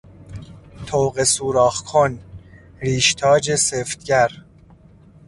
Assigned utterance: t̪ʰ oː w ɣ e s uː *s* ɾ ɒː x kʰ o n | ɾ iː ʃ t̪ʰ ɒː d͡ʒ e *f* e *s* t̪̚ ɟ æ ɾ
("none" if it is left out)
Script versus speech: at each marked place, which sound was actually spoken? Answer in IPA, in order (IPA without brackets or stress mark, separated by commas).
none, s, f